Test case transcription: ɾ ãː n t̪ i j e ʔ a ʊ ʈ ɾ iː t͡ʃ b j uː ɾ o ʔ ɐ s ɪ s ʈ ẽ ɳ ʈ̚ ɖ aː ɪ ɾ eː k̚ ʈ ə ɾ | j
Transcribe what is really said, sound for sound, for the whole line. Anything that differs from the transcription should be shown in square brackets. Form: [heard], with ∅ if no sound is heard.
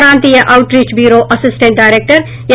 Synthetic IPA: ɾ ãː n t̪ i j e ʔ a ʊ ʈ ɾ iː t͡ʃ b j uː ɾ o ʔ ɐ s ɪ s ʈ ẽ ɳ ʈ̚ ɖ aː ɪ ɾ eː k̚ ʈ ə ɾ | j

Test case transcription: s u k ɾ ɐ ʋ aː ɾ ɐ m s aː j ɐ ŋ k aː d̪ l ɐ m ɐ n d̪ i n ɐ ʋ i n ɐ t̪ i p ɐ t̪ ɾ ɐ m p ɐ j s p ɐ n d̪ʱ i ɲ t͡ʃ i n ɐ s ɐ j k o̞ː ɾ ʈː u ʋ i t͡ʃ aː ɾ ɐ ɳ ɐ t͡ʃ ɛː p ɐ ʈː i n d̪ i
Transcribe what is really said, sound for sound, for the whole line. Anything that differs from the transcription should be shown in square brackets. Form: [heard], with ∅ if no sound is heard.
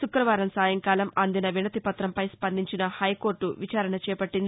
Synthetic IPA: s u k ɾ ɐ ʋ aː ɾ ɐ m s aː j ɐ ŋ k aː [∅] l ɐ m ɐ n d̪ i n ɐ ʋ i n ɐ t̪ i p ɐ t̪ ɾ ɐ m p ɐ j s p ɐ n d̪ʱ i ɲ t͡ʃ i n ɐ [h] ɐ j k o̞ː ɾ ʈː u ʋ i t͡ʃ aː ɾ ɐ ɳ ɐ t͡ʃ ɛː p ɐ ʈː i n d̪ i

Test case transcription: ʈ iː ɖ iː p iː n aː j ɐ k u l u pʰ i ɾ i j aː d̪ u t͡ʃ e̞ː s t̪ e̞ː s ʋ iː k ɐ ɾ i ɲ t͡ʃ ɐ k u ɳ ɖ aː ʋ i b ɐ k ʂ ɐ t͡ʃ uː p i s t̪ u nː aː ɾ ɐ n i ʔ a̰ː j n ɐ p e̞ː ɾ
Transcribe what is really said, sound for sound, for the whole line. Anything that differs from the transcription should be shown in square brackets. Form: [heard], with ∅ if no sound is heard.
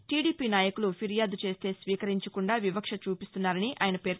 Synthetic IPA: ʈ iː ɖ iː p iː n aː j ɐ k u l u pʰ i ɾ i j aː d̪ u t͡ʃ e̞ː s t̪ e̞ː s ʋ iː k ɐ ɾ i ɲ t͡ʃ ɐ k u ɳ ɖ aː ʋ i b ɐ k ʂ ɐ t͡ʃ uː p i s t̪ u nː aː ɾ ɐ n i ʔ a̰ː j n ɐ p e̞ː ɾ

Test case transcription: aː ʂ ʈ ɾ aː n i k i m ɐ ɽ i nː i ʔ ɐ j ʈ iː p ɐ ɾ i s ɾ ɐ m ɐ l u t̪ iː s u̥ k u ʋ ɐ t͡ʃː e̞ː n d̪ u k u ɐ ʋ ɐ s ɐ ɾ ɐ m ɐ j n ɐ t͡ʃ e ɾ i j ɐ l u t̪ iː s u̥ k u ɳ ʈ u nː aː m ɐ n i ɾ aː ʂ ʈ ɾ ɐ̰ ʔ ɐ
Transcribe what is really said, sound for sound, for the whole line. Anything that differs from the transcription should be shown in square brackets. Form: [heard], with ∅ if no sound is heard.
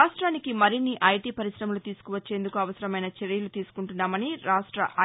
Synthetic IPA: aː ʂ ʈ ɾ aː n i k i m ɐ [ɾ] i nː i ʔ ɐ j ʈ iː p ɐ ɾ i s ɾ ɐ m ɐ l u t̪ iː s u̥ k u ʋ ɐ t͡ʃː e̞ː n d̪ u k u ɐ ʋ ɐ s ɐ ɾ ɐ m ɐ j n ɐ t͡ʃ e ɾ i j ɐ l u t̪ iː s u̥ k u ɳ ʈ u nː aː m ɐ n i ɾ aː ʂ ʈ ɾ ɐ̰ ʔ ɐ

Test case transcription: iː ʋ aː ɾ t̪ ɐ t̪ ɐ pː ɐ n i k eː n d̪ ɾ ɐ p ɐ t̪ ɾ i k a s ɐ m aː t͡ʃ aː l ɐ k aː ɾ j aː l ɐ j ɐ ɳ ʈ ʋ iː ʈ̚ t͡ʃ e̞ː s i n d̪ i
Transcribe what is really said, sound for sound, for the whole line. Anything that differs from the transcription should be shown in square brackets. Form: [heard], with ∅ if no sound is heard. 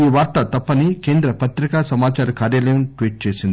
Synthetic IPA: iː ʋ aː ɾ t̪ ɐ t̪ ɐ pː ɐ n i k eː n d̪ ɾ ɐ p ɐ t̪ ɾ i k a s ɐ m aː t͡ʃ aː [ɾ] ɐ k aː ɾ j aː l ɐ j ɐ [m] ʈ ʋ iː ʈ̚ t͡ʃ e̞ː s i n d̪ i

